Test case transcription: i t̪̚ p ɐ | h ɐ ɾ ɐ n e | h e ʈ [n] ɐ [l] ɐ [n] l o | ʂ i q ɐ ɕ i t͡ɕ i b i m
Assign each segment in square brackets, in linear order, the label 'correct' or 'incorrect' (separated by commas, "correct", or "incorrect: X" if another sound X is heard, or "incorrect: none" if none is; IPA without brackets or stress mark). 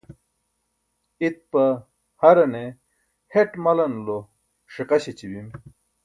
incorrect: m, correct, correct